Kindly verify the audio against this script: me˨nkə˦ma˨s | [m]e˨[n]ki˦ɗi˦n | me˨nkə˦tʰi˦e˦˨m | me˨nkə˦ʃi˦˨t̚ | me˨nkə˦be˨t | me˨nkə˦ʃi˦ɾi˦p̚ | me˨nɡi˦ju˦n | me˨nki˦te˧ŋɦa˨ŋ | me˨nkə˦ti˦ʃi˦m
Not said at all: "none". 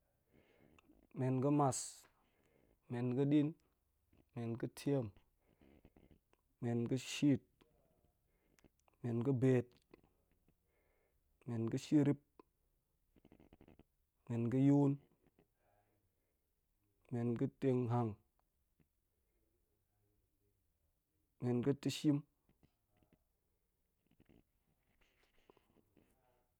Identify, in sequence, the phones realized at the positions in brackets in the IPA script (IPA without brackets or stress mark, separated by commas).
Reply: m, n